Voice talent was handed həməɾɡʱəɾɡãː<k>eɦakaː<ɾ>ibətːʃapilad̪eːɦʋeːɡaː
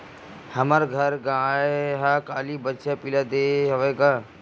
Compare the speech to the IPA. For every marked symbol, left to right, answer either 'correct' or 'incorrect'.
incorrect, incorrect

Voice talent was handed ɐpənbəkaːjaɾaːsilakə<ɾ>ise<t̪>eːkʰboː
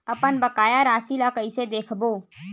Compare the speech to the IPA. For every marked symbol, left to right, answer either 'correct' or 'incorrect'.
incorrect, incorrect

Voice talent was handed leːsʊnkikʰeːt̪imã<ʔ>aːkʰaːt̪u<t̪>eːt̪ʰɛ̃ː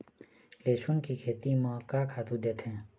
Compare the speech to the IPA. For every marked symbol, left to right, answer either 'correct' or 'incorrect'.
incorrect, incorrect

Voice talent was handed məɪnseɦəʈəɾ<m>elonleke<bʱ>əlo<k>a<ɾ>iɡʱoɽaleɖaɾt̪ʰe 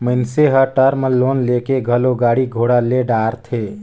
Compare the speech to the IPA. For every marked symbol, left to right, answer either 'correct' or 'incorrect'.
correct, incorrect, incorrect, incorrect

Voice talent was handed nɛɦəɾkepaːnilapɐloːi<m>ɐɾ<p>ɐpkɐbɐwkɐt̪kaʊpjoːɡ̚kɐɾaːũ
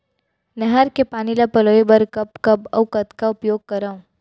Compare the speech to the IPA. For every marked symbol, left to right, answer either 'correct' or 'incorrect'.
incorrect, incorrect

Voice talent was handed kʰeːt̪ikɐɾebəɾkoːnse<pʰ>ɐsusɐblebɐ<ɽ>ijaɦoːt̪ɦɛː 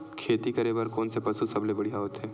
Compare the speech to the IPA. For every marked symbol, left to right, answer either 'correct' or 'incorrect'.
incorrect, correct

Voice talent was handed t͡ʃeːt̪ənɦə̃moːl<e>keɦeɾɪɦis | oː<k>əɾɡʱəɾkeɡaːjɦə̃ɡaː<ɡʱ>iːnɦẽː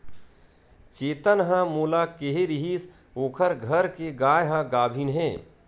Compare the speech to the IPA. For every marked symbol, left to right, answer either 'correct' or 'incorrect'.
incorrect, incorrect, incorrect

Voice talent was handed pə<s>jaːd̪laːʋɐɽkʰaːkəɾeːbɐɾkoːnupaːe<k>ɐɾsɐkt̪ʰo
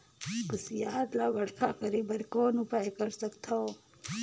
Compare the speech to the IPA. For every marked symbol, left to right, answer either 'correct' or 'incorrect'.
correct, correct

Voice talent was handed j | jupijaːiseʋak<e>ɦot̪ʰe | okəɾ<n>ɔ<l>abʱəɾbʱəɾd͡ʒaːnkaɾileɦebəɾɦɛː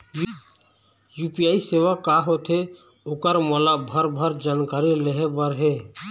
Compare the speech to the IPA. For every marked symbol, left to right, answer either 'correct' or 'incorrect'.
incorrect, incorrect, correct

